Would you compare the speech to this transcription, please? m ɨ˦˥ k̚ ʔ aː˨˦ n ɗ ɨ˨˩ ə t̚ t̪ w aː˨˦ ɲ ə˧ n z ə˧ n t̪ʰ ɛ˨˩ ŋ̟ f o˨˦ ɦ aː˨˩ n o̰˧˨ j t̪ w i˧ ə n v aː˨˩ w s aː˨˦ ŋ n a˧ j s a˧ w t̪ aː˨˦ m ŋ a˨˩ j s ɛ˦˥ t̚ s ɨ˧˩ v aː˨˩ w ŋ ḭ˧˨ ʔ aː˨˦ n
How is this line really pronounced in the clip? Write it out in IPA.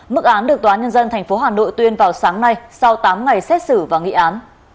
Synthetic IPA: m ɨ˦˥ k̚ ʔ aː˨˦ n ɗ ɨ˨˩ ə k̚ t̪ w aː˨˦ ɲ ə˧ n z ə˧ n t̪ʰ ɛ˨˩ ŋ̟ f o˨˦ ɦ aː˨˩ n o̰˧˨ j t̪ w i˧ ə n v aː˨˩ w s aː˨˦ ŋ n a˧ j s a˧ w t̪ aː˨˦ m ŋ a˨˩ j s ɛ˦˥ t̚ s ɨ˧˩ v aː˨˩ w ŋ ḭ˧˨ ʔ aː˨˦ n